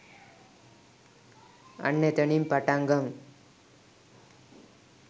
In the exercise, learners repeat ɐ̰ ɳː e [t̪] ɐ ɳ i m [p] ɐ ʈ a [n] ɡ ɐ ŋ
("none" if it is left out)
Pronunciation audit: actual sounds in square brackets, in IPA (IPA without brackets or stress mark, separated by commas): t̪, p, ŋ